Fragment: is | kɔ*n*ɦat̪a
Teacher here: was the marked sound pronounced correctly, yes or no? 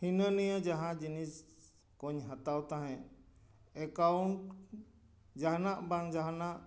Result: no